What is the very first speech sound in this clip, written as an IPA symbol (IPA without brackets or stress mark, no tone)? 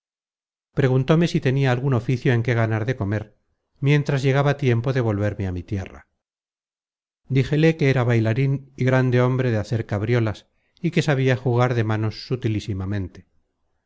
p